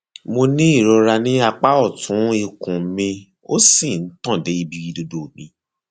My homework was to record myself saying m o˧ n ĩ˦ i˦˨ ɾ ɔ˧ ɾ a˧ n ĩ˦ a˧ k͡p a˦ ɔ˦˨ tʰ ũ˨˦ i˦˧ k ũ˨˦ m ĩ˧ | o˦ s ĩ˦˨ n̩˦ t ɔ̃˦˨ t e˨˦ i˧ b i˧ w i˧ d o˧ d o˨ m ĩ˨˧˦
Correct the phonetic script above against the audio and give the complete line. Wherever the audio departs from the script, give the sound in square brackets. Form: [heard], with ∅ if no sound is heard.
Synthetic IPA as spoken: m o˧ n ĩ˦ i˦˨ ɾ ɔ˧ ɾ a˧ n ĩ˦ a˧ k͡p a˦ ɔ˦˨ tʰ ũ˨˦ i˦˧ k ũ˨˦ m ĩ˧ | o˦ s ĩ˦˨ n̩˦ t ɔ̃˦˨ [d] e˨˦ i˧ b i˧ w i˧ d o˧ d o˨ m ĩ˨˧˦